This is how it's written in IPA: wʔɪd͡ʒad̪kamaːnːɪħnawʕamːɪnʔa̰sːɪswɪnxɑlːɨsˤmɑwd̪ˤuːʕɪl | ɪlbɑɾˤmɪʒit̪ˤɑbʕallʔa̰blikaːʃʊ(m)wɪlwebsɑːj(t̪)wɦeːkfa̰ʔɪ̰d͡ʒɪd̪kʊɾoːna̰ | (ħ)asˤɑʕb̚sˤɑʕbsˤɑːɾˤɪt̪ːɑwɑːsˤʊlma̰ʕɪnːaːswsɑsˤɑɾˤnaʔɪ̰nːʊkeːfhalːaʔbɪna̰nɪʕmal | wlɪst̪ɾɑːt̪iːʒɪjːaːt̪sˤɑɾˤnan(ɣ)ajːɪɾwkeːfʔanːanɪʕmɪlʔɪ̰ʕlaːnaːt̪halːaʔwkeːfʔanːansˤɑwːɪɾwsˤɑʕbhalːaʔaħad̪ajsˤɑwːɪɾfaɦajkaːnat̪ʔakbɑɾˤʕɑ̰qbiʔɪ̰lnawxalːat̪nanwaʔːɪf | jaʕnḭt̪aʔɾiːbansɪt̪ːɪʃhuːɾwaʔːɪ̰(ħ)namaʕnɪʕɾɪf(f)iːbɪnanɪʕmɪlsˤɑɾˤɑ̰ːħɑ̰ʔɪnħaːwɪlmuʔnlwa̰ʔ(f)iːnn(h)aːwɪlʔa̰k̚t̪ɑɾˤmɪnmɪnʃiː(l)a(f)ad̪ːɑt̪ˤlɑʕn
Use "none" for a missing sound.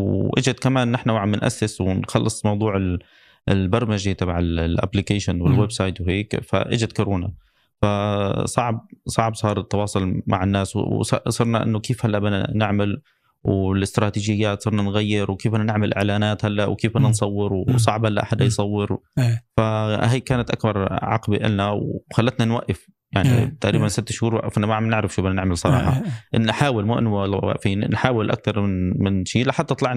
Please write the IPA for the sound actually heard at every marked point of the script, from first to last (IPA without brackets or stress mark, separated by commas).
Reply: n, t̪, f, ɣ, f, ʃ, f, ħ, l, ħ